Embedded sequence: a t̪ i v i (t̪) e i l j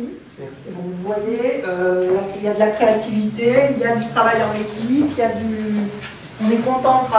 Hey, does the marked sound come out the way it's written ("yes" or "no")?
yes